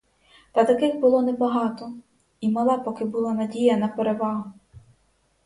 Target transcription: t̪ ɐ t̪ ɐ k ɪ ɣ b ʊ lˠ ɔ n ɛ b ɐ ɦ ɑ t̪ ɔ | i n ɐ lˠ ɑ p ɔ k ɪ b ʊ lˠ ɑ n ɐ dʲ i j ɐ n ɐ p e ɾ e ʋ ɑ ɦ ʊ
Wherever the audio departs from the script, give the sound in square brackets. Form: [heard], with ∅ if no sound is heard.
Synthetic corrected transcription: t̪ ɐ t̪ ɐ k ɪ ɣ b ʊ lˠ ɔ n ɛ b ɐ ɦ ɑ t̪ ɔ | i [m] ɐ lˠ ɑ p ɔ k ɪ b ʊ lˠ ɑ n ɐ dʲ i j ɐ n ɐ p e ɾ e ʋ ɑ ɦ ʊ